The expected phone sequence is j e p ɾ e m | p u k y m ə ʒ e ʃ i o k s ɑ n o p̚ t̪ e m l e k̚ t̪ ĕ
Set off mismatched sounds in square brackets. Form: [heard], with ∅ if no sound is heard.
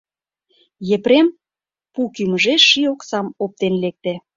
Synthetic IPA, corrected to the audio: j e p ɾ e m | p u k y m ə ʒ e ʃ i o k s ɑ [m] o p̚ t̪ e [n] l e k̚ t̪ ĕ